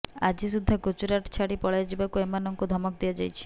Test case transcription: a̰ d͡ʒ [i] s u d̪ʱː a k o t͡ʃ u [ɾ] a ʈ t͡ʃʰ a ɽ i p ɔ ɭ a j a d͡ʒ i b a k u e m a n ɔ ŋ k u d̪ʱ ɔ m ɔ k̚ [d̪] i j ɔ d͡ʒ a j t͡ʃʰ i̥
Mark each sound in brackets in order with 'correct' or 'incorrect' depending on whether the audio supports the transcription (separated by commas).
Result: correct, correct, correct